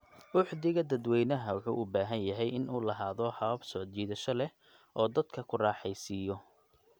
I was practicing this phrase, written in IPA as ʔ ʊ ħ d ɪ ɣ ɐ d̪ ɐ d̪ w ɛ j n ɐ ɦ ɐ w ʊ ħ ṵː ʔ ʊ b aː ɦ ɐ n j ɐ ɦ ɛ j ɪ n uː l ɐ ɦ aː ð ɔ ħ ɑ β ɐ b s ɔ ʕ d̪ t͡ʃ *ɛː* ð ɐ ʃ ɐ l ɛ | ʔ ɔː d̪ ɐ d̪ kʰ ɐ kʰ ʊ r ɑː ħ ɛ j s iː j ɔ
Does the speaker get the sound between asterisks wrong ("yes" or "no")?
yes